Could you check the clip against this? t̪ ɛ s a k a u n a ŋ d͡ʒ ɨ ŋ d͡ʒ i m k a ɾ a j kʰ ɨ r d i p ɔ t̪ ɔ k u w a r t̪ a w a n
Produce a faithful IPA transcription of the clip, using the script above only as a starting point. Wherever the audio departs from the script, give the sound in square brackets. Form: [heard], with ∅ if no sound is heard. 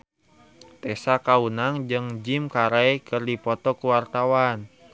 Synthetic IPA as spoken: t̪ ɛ s a k a u n a ŋ d͡ʒ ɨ ŋ d͡ʒ i m k a ɾ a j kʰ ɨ r d i p ɔ t̪ ɔ k u w a r t̪ a w a n